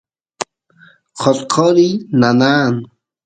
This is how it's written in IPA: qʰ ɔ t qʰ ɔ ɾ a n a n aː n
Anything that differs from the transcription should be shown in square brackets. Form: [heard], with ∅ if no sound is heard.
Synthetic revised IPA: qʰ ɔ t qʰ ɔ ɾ [i] n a n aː n